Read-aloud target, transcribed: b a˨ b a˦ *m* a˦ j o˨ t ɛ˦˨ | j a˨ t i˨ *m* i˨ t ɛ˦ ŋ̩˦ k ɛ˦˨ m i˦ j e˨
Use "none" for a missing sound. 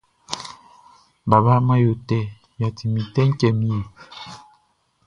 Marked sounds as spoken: m, m

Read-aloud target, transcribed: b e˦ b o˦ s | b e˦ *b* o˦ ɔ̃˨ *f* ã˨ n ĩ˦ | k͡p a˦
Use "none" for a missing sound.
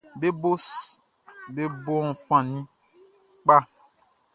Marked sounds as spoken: b, f

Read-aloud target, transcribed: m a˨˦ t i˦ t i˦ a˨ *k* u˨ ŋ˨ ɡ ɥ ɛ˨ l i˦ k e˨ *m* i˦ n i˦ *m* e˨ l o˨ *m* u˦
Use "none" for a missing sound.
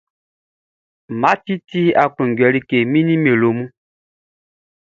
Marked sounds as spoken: k, m, m, m

